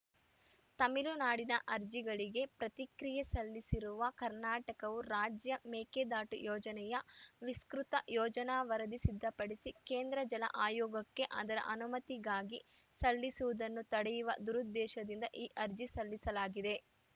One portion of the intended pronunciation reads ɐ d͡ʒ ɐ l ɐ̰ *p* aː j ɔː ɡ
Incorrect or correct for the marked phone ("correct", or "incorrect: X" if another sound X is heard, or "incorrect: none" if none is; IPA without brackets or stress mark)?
incorrect: ʔ